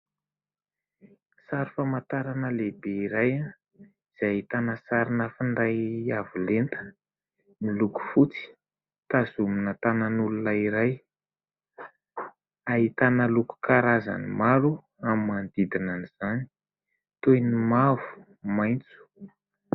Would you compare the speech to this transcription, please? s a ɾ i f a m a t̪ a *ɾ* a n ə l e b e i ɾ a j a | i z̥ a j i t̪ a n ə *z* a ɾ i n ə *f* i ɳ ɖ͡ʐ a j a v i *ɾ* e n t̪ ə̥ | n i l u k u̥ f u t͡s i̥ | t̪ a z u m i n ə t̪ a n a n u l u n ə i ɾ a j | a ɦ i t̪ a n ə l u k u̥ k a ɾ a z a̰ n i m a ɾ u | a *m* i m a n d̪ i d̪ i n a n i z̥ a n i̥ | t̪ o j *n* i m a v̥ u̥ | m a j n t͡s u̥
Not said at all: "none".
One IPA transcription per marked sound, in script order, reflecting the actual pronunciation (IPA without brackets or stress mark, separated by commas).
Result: ɾ, s, f, l, m, n